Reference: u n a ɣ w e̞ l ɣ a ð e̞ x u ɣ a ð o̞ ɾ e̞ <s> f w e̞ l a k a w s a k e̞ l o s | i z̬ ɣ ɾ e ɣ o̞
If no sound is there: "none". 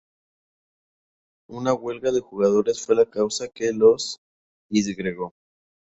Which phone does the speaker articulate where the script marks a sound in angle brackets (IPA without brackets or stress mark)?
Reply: s